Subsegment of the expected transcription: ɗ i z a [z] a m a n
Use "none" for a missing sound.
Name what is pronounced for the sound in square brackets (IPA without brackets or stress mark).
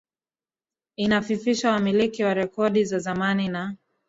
z